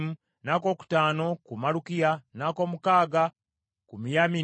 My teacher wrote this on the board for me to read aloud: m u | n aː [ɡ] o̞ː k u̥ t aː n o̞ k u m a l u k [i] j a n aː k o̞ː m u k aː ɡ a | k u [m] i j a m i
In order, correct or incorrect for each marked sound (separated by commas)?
incorrect, correct, correct